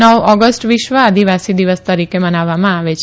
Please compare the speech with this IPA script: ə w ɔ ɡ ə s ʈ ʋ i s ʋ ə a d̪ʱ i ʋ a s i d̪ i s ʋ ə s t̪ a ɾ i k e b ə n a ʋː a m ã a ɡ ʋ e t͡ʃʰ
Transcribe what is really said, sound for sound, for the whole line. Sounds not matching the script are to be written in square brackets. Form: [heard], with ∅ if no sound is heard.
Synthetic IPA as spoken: ə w ɔ ɡ ə s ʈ ʋ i [ʃ] ʋ ə a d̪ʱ i ʋ a s i d̪ i [∅] ʋ ə s t̪ [ə] ɾ i k e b ə n a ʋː a m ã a [∅] ʋ e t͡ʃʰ